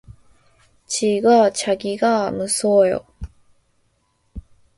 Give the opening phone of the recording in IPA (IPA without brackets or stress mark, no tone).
t͡ɕ